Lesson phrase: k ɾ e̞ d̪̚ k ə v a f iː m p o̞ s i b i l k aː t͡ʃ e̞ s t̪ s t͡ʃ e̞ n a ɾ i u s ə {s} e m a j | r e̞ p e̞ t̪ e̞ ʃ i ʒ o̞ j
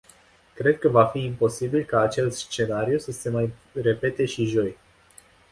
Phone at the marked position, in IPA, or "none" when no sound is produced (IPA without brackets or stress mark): s